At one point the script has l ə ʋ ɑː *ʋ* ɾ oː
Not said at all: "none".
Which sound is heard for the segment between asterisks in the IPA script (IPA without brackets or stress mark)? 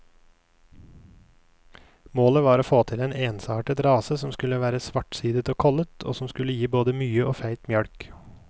none